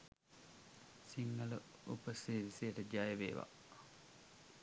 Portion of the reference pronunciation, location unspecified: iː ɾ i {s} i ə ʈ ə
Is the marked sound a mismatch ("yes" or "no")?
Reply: no